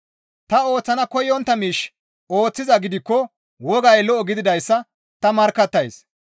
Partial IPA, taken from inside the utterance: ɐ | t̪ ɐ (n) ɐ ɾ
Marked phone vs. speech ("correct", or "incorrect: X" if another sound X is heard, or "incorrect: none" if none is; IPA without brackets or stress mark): incorrect: m